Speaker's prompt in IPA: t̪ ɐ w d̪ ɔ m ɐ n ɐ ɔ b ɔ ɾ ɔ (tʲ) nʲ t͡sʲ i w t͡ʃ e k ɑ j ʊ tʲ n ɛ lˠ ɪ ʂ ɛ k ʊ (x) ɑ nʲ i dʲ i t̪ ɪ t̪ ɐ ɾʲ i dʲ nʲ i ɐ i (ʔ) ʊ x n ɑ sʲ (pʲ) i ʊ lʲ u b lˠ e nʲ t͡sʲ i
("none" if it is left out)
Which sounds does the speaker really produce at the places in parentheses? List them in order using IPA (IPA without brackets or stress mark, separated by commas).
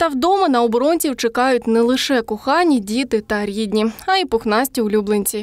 none, x, p, tʲ